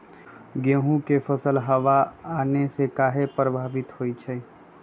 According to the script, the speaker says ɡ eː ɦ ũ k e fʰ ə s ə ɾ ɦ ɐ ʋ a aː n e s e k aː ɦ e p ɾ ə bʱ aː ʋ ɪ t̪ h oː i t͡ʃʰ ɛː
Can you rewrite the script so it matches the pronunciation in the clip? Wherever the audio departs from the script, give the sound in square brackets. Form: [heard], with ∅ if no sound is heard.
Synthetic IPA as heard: ɡ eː ɦ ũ k e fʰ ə s ə [l] ɦ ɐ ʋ a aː n e s e k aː ɦ e p ɾ ə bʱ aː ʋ ɪ t̪ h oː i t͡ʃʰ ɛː